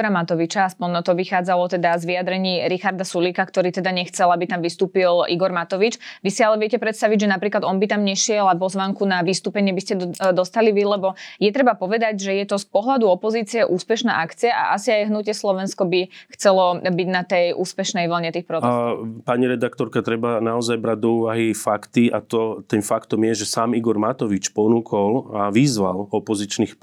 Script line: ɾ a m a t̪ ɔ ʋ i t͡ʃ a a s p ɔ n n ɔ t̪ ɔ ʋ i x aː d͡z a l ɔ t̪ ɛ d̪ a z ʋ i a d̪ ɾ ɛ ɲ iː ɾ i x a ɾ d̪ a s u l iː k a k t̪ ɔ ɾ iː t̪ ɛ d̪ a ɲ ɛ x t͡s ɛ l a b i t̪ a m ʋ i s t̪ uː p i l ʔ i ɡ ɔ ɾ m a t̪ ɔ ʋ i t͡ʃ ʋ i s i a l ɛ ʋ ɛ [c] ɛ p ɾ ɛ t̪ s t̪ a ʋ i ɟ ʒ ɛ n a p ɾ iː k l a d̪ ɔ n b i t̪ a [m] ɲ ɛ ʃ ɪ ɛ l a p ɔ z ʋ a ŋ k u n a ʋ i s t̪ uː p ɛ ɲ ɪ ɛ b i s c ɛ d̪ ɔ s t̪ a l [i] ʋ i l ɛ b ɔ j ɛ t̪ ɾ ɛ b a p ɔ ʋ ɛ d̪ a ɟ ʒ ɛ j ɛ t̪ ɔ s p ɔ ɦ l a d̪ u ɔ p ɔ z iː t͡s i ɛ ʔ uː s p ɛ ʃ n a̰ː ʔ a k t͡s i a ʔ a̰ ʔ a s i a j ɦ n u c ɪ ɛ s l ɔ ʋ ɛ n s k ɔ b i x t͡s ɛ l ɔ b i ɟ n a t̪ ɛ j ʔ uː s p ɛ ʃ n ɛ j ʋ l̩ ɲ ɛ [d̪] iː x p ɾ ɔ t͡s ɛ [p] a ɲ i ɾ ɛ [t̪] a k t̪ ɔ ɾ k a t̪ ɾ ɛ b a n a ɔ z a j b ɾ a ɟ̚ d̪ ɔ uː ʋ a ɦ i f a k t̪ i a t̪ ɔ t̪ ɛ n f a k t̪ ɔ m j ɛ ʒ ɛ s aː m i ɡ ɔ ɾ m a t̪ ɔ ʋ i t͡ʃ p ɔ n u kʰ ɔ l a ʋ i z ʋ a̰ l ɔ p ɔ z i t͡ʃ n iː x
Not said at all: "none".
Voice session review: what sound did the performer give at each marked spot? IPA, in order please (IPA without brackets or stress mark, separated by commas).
c, m, i, t̪, p, d̪